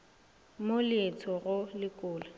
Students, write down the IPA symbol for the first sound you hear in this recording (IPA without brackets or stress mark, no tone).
m